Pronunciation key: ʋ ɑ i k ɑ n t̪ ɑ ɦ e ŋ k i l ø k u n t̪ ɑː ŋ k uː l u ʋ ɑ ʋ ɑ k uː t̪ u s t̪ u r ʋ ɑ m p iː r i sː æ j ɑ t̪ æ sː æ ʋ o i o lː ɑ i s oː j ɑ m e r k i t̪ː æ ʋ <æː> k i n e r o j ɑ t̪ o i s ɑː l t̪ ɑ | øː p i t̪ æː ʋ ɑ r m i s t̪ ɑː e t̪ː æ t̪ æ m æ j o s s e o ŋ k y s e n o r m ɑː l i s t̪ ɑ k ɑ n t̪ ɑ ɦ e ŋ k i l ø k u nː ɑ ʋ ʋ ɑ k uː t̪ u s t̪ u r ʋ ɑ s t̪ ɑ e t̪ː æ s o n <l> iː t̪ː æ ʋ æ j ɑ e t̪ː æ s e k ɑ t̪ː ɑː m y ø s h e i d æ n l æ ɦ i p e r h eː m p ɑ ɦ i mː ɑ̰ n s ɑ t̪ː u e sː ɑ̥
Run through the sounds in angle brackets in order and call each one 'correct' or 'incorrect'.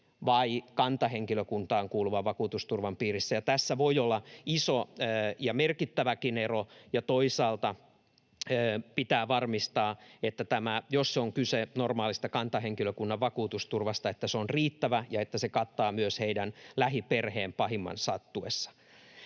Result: incorrect: æ, incorrect: r

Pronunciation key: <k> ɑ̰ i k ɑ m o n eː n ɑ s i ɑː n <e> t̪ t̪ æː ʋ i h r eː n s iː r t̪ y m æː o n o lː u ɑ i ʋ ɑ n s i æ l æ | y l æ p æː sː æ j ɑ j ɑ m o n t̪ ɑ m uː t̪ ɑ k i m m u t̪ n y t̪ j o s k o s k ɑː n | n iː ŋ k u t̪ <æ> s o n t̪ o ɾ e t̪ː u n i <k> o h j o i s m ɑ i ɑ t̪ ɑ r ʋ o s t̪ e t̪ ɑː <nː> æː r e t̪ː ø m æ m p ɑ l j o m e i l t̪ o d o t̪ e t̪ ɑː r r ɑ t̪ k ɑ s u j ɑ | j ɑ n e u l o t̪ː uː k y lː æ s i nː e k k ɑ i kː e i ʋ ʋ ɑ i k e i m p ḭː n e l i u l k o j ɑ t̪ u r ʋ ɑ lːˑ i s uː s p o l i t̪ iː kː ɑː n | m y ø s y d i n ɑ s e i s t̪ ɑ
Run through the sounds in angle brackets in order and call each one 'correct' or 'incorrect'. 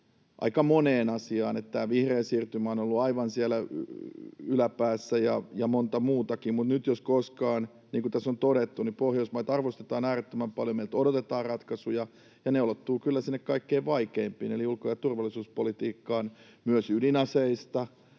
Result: incorrect: ʔ, correct, correct, incorrect: p, incorrect: n

